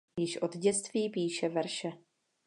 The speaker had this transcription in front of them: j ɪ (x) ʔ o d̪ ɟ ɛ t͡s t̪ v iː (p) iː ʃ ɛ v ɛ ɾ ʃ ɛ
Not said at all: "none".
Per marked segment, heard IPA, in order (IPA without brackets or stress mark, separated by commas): ʃ, p